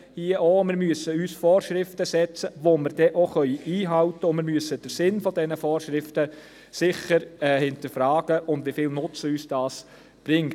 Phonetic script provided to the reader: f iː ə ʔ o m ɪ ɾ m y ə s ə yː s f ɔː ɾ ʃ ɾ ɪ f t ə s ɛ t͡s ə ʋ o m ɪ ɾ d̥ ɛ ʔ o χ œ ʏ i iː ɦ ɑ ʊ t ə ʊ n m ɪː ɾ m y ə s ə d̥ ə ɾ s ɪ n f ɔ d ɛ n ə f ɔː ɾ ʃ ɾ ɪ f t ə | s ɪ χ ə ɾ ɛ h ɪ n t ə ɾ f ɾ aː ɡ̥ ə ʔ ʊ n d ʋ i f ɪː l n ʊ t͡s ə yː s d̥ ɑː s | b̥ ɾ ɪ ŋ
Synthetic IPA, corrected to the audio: h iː ə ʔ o m ɪ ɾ m y ə s ə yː s f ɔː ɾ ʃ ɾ ɪ f t ə s ɛ t͡s ə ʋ o m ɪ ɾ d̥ ɛ ʔ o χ œ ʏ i iː ɦ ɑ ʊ t ə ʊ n m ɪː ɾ m y ə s ə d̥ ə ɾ s ɪ n f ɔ d ɛ n ə f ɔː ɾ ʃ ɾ ɪ f t ə | s ɪ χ ə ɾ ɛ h ɪ n t ə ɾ f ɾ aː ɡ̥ ə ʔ ʊ n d ʋ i f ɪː l n ʊ t͡s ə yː s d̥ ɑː s | b̥ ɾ ɪ ŋ